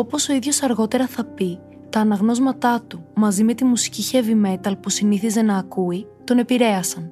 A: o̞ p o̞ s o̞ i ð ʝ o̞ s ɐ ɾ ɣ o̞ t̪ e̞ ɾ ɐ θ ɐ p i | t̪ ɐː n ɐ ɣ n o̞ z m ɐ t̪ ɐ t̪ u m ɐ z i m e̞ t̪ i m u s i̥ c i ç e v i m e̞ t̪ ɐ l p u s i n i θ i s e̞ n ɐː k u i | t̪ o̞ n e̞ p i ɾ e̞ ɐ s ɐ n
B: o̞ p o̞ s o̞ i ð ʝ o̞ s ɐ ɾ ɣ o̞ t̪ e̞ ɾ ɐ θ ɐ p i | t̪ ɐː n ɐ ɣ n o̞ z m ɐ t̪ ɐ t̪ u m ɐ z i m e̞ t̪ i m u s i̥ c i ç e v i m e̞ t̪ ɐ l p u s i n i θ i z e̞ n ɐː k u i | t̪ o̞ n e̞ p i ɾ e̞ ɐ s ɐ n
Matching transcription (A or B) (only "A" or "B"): B